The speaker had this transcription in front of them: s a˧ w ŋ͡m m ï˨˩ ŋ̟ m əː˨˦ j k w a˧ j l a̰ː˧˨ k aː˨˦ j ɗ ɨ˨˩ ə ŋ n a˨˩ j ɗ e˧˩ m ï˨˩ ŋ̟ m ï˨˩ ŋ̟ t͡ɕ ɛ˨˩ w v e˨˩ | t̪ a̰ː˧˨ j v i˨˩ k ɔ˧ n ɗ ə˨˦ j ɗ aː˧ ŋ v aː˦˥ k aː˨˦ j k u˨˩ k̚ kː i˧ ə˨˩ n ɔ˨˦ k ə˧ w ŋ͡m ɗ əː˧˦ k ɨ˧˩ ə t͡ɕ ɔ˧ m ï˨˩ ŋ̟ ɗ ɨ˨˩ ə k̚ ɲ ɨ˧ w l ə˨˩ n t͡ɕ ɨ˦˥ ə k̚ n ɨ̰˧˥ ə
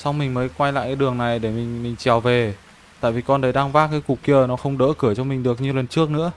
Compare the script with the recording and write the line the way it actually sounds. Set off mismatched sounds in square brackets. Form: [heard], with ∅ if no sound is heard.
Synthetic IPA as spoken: s a˧ w ŋ͡m m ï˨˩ ŋ̟ m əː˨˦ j k w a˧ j l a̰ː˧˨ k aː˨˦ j ɗ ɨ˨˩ ə ŋ n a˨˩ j ɗ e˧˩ m ï˨˩ ŋ̟ m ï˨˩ ŋ̟ t͡ɕ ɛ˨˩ w v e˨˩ | t̪ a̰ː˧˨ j v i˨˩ k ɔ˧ n ɗ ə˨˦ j ɗ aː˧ ŋ v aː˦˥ k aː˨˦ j k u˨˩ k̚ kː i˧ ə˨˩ n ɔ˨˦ [x] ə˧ w ŋ͡m ɗ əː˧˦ k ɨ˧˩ ə t͡ɕ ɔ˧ m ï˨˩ ŋ̟ ɗ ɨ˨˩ ə k̚ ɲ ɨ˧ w l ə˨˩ n t͡ɕ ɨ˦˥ ə k̚ n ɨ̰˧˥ ə